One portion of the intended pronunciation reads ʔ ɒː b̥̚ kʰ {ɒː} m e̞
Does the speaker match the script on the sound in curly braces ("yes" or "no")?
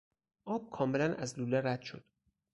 yes